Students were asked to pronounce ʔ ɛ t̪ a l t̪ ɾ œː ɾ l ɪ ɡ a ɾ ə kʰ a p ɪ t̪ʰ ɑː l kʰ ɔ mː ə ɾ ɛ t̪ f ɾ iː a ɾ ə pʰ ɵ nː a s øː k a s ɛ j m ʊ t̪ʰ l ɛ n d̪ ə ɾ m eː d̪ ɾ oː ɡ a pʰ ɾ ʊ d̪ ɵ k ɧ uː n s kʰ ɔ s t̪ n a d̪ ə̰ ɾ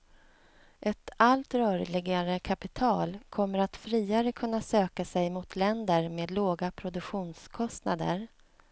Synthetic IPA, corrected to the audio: ʔ ɛ t̪ a l t̪ ɾ œː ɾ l ɪ ɡ a ɾ ə kʰ a p ɪ t̪ʰ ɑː l kʰ ɔ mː ə ɾ a t̪ f ɾ iː a ɾ ə kʰ ɵ nː a s øː k a s ɛ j m ʊ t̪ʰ l ɛ n d̪ ə ɾ m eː d̪ l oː ɡ a pʰ ɾ ʊ d̪ ɵ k ɧ uː n s kʰ ɔ s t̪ n a d̪ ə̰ ɾ

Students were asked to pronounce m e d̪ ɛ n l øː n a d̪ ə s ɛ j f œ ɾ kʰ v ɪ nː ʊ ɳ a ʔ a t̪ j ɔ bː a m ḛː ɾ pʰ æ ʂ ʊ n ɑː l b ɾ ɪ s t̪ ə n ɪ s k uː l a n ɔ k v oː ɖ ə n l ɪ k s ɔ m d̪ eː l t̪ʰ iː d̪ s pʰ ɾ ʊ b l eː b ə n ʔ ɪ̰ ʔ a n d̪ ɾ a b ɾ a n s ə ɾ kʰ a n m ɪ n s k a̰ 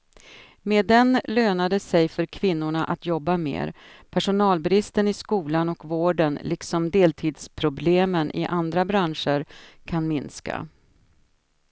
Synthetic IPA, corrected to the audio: m e d̪ ɛ n l øː n a d̪ ə s ɛ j f œ ɾ kʰ v ɪ nː ʊ ɳ a ʔ a t̪ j ɔ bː a m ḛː ɾ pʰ æ ʂ ʊ n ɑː l b ɾ ɪ s t̪ ə n ɪ s k uː l a n ɔ k v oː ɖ ə n l ɪ k s ɔ m d̪ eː l t̪ʰ iː d̪ s pʰ ɾ ʊ b l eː m ə n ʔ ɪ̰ ʔ a n d̪ ɾ a b ɾ a n ʂ ə ɾ kʰ a n m ɪ n s k a̰

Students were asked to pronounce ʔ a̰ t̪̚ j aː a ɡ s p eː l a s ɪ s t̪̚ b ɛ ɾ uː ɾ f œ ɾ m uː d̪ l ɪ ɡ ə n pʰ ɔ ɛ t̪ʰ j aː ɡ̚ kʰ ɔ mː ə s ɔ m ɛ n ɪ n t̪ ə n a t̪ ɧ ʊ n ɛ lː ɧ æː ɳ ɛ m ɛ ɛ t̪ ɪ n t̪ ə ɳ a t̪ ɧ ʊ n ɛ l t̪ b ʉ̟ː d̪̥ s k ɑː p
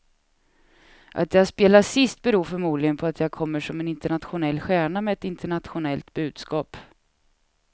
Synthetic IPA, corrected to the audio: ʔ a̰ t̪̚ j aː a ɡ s p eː l a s ɪ s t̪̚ b ɛ ɾ uː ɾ f œ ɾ m uː d̪ l ɪ ɡ ə n pʰ ɔ a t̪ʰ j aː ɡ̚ kʰ ɔ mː ə ʂ ɔ m ɛ n ɪ n t̪ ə ɳ a t̪ ɧ ʊ n ɛ lː ɧ æː ɳ a m ɛ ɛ t̪ ɪ n t̪ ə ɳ a t̪ ɧ ʊ n ɛ l t̪ b ʉ̟ː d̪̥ s k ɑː p

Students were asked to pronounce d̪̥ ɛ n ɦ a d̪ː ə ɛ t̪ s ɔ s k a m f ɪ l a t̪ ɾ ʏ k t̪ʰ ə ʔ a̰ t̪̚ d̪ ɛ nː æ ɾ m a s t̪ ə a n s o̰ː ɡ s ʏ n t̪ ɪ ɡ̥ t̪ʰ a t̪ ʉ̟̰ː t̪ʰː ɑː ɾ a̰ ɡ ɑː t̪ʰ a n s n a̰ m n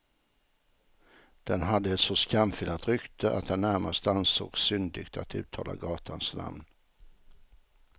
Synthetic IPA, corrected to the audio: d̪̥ ɛ n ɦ a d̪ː ə ɛ t̪ s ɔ s k a m f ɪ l a t̪ ɾ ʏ k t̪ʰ ə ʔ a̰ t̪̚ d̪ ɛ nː æ ɾ m a s t̪ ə a n s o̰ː ɡ s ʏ n d̪ ɪ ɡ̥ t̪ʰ a t̪ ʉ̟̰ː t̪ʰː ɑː l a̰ ɡ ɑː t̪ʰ a n s n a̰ m n

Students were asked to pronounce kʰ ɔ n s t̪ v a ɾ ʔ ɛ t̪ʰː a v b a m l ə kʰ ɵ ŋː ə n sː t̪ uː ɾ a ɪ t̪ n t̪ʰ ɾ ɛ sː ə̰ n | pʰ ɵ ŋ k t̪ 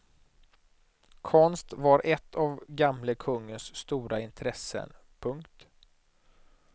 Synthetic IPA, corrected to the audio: kʰ ɔ n s t̪ v a ɾ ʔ ɛ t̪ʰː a v ɡ a m l ə kʰ ɵ ŋː ə n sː t̪ uː ɾ a ɪ n t̪ʰ ɾ ɛ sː ə̰ n | pʰ ɵ ŋ k t̪

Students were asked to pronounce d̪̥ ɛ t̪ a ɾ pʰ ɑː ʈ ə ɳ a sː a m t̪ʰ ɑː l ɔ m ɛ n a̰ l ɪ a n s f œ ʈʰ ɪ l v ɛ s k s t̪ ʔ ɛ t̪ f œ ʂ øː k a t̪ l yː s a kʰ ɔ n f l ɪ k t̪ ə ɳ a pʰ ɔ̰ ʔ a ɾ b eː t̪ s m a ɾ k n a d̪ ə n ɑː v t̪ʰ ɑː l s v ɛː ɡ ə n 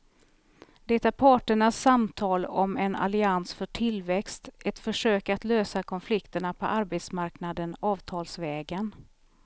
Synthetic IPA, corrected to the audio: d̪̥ ɛ t̪ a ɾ pʰ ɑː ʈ ə ɳ a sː a m t̪ʰ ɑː l ɔ m ɛ n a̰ l ɪ a n s f œ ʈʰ ɪ l v ɛ k s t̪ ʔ ɛ t̪ f œ ʂ øː k a t̪ l øː s a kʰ ɔ n f l ɪ k t̪ ə ɳ a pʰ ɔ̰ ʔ a ɾ b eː t̪ s m a ɾ k n a d̪ ə n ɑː v t̪ʰ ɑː l s v ɛː ɡ ə n

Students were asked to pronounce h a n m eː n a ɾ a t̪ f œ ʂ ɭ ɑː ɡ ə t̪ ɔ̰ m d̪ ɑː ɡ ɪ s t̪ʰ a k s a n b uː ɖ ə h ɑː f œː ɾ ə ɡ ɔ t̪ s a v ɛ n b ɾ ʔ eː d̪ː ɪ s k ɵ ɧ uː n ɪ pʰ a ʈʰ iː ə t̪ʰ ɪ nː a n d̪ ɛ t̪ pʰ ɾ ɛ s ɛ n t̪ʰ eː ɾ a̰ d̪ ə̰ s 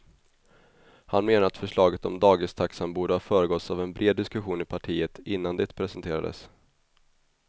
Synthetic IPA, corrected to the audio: h a n m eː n a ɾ a t̪ f œ ʂ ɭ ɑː ɡ ə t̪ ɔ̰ m d̪ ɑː ɡ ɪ s t̪ʰ a k s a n b uː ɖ ə h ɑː f œː ɾ ə ɡ ɔ t̪ s a v ɛ n b ɾ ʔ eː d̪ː ɪ s k ɵ ɧ uː n ɪ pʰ a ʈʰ iː ə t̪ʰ ɪ nː a n d̪ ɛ t̪ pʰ ɾ ɛ s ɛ n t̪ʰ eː ɾ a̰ d̪ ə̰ s

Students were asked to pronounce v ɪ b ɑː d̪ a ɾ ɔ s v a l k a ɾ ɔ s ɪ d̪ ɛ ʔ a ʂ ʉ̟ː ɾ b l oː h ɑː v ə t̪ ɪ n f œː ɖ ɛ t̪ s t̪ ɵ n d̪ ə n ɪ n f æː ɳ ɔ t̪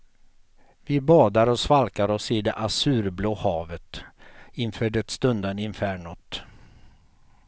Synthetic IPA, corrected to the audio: v ɪ b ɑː d̪ a ɾ ɔ s v a l k a ɾ ɔ s ɪ d̪ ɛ ʔ a s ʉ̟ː ɾ b l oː h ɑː v ə t̪ ɪ n f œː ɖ ɛ t̪ s t̪ ɵ n d̪ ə n ɪ n f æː ɳ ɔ t̪

